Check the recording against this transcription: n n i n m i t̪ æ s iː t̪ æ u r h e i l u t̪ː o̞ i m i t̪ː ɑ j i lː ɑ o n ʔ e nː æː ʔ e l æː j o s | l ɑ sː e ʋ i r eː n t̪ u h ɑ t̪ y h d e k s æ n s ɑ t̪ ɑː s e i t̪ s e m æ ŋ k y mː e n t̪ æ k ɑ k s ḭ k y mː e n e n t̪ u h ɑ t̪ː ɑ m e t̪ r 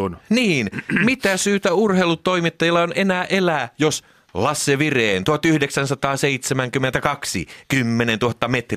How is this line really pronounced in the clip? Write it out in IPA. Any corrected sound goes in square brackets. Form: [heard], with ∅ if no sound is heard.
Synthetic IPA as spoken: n n [iː] n m i t̪ æ s [yː] t̪ æ u r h e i l u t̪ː o̞ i m i t̪ː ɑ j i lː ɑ o n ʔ e [n] æː ʔ e l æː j o s | l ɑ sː e ʋ i r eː n t̪ u h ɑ t̪ y h d e k s æ n s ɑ t̪ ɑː s e i t̪ s e m æ ŋ k y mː e n t̪ æ k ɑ k s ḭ k y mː e n e n t̪ u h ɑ t̪ː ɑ m e t̪ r